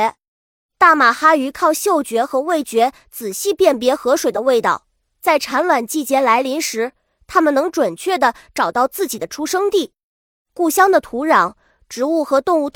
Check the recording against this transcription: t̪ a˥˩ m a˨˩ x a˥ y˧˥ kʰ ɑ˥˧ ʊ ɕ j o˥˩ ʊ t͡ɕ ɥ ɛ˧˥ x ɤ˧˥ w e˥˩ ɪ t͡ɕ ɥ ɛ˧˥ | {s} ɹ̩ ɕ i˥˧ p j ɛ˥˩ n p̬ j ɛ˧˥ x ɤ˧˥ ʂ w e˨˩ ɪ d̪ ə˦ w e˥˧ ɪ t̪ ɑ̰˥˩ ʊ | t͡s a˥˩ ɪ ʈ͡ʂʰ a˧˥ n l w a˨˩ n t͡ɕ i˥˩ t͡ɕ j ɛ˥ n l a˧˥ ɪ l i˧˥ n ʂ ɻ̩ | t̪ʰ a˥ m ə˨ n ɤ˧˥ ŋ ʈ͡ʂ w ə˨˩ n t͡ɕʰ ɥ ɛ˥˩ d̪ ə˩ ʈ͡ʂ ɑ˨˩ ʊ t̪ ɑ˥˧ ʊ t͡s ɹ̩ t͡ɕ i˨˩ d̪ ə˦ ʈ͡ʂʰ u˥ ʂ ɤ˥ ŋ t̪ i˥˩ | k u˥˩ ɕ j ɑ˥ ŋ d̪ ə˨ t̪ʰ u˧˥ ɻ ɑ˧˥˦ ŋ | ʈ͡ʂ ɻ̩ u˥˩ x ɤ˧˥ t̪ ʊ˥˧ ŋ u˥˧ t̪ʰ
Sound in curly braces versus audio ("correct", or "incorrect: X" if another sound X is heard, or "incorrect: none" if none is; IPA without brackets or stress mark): incorrect: t͡s